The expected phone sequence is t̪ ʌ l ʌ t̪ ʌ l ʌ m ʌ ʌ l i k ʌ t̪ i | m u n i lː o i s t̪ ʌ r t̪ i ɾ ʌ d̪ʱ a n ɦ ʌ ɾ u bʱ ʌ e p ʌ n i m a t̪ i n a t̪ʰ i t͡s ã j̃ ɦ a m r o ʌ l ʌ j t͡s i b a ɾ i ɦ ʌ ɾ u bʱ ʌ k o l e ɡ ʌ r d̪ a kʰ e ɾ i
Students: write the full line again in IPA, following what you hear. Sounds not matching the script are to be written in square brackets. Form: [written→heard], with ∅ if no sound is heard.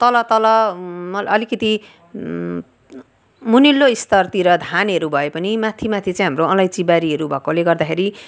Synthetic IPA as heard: t̪ ʌ l ʌ t̪ ʌ l ʌ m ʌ ʌ l i k ʌ t̪ i | m u n i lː o i s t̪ ʌ r t̪ i ɾ ʌ d̪ʱ a n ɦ ʌ ɾ u bʱ ʌ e p ʌ n i m a [t̪→t̪ʰ] i [n→m] a t̪ʰ i t͡s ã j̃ ɦ a m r o ʌ l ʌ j t͡s i b a ɾ i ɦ ʌ ɾ u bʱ ʌ k o l e ɡ ʌ r d̪ a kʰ e ɾ i